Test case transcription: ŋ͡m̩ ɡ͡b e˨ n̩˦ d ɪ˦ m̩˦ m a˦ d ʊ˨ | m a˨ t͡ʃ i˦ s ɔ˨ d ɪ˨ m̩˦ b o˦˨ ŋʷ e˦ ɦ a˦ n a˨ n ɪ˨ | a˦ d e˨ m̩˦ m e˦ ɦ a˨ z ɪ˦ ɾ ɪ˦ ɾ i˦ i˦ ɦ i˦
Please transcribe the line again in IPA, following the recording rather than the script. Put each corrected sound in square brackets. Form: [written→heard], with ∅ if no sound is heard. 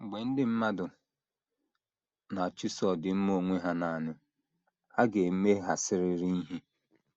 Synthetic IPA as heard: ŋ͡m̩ ɡ͡b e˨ n̩˦ d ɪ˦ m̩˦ m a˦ d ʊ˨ | [m→n] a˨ t͡ʃ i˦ s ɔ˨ d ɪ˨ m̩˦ [b→m] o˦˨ ŋʷ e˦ ɦ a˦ n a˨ n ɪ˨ | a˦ [d→ɡ] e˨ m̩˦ m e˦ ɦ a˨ [z→s] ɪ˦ ɾ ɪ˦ ɾ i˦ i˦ ɦ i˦